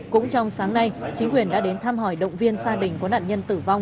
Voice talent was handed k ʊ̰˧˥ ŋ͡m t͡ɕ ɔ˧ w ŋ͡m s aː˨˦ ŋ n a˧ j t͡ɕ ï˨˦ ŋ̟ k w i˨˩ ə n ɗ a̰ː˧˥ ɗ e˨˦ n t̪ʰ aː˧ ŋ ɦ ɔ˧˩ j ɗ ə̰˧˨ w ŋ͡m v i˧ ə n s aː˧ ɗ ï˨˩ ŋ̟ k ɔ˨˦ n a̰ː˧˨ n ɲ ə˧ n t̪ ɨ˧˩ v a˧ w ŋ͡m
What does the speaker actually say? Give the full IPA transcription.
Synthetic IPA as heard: k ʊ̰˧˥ ŋ͡m t͡ɕ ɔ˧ w ŋ͡m s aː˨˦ ŋ n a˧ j t͡ɕ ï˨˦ ŋ̟ k w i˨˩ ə n ɗ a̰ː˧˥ ɗ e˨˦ n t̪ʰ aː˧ m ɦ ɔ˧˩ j ɗ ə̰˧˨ w ŋ͡m v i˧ ə n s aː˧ ɗ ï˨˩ ŋ̟ k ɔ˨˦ n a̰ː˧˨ n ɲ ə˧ n t̪ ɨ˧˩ v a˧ w ŋ͡m